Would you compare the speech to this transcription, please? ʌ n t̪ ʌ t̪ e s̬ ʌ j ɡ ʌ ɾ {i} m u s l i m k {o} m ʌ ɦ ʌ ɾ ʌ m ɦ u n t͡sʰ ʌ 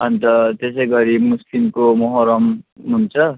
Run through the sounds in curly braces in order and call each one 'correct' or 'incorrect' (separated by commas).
correct, correct